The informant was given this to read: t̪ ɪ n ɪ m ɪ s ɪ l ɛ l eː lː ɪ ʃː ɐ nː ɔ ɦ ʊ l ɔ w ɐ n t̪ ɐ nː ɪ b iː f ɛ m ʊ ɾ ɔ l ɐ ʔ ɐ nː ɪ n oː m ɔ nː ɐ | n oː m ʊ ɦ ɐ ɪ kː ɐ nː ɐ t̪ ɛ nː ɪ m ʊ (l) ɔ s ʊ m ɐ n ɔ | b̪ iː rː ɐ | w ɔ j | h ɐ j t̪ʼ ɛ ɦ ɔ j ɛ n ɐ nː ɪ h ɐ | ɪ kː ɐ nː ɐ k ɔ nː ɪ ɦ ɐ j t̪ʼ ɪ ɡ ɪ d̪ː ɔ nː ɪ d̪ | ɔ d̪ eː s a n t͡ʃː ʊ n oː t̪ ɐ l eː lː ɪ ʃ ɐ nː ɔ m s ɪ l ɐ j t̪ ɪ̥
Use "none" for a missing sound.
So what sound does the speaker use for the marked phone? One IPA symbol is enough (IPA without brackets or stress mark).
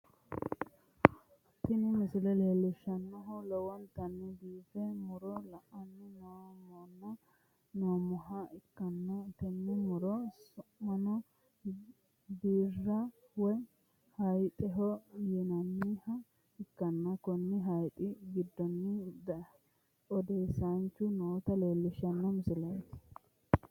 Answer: ɾ